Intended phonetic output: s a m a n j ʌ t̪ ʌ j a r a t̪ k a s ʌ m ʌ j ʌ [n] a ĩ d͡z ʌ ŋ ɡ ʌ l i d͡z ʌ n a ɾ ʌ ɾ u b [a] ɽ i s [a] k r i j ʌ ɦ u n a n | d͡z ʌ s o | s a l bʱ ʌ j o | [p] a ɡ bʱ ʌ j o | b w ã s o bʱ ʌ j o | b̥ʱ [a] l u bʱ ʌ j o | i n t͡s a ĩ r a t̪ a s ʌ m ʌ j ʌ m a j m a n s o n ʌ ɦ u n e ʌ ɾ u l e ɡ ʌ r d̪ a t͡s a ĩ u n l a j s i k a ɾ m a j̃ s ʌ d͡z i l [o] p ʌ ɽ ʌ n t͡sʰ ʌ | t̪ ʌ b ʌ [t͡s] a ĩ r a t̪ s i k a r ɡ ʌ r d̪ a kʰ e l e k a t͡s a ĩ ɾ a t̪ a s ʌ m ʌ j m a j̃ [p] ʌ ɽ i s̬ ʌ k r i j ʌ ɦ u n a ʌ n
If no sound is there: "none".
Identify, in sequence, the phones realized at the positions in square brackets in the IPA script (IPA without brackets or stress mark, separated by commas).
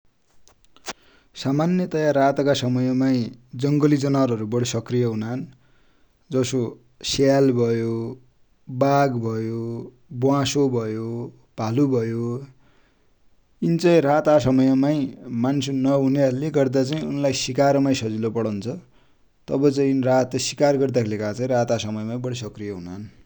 m, ʌ, ʌ, b, a, o, t͡s, b